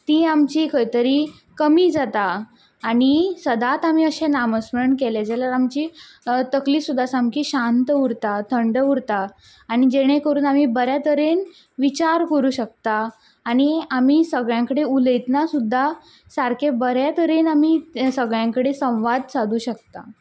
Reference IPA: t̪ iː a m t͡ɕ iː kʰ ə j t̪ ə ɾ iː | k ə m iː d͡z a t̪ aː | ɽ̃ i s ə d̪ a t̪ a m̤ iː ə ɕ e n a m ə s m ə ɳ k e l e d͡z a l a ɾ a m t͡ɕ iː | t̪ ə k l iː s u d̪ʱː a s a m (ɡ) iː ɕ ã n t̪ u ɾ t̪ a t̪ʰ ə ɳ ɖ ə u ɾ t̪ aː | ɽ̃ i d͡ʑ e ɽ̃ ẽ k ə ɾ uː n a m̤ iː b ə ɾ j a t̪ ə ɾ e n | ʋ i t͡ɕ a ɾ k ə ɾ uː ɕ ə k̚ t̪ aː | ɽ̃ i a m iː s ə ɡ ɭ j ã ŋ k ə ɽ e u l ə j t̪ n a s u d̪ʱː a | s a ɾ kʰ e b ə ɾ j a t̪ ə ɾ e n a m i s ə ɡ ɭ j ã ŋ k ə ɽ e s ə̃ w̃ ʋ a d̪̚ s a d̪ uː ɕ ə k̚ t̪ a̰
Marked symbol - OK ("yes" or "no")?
no